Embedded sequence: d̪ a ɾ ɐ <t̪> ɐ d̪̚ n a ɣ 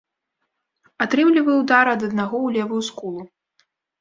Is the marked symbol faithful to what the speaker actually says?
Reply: no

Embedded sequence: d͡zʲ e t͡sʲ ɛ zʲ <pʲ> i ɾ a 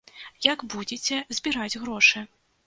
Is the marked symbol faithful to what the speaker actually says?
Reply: no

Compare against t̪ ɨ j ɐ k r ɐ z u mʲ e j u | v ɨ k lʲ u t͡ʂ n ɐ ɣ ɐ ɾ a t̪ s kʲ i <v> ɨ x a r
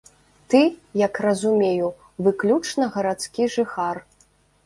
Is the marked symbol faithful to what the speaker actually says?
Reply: no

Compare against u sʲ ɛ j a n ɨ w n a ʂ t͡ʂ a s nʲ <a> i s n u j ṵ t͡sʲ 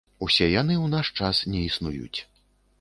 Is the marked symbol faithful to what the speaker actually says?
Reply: no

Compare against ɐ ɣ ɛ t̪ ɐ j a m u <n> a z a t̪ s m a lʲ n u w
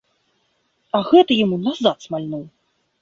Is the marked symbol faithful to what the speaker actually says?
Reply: yes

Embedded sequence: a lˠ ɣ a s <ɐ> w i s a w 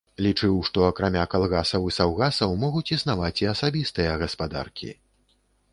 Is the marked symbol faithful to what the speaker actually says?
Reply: yes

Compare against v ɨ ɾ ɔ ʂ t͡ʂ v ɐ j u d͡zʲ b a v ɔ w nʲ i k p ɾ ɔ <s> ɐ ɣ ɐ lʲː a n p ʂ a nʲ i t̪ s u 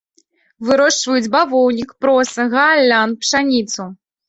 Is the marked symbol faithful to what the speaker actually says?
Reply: yes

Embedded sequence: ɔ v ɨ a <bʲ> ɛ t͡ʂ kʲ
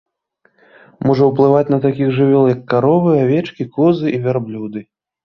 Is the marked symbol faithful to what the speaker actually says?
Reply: no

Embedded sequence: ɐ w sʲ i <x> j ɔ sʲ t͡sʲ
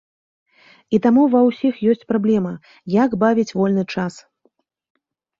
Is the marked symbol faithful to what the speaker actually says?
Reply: yes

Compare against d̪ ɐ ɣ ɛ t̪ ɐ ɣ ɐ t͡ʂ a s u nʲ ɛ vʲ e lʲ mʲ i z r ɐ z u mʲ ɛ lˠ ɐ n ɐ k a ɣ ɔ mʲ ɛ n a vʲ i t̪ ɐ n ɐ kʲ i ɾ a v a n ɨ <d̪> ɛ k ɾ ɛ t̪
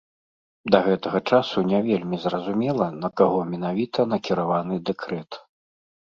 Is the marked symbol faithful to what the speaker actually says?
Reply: yes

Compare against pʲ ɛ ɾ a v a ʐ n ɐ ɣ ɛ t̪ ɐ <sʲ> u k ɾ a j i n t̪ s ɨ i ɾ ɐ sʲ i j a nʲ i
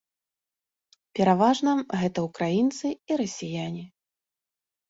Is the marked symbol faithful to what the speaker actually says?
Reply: no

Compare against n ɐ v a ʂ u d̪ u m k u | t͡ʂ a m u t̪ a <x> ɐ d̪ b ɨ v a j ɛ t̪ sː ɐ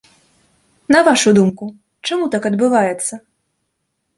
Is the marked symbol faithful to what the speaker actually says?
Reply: no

